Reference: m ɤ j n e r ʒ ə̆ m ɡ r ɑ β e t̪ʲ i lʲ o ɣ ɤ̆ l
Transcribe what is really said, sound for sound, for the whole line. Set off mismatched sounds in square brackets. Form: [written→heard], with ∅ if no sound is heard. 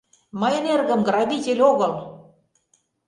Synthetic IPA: m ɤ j n e r [ʒ→ɣ] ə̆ m ɡ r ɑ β [e→i] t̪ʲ [i→e] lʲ o ɣ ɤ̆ l